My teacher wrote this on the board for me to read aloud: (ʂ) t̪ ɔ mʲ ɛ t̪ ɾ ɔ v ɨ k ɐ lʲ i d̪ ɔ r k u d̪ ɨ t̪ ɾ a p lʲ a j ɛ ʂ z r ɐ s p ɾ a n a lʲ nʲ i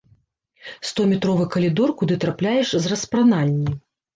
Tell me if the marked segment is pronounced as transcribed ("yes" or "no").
no